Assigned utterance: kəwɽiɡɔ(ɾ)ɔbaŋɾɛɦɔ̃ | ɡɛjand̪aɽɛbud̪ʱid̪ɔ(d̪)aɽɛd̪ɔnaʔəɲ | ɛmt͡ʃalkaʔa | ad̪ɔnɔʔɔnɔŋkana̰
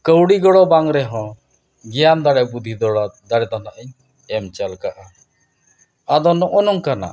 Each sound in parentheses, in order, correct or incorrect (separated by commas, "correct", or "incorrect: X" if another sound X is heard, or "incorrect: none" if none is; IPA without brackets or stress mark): incorrect: ɽ, correct